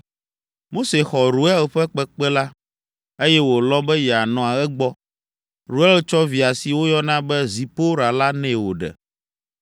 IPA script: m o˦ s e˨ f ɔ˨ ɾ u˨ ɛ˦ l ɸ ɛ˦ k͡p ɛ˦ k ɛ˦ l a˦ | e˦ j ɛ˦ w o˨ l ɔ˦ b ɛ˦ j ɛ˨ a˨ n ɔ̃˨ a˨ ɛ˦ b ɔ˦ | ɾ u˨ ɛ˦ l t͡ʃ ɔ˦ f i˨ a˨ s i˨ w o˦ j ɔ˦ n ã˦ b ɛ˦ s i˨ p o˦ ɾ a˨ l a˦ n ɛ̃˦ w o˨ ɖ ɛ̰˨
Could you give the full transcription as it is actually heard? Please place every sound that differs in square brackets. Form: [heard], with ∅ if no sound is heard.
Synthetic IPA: m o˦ s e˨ [x] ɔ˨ ɾ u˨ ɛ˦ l ɸ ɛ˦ k͡p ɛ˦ [k͡p] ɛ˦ l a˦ | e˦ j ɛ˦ w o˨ l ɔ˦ b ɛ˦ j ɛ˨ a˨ n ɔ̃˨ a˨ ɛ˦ [ɡ͡b] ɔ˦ | ɾ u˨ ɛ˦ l t͡ʃ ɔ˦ [v] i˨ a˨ s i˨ w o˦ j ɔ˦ n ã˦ b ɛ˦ [z] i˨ p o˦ ɾ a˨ l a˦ n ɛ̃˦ w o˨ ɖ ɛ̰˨